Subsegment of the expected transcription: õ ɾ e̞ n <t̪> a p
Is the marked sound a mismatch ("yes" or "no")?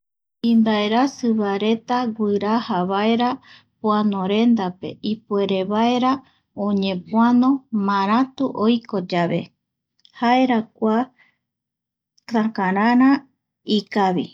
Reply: yes